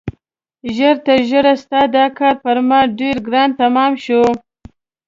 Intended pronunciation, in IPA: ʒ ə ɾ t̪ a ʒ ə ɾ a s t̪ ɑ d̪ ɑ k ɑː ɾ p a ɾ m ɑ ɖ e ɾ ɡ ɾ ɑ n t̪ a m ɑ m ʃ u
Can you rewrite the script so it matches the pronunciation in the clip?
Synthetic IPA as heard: ʒ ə ɾ t̪ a ʒ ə ɾ a s t̪ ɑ d̪ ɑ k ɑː ɾ p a ɾ m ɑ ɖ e ɾ ɡ ɾ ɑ n t̪ a m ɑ m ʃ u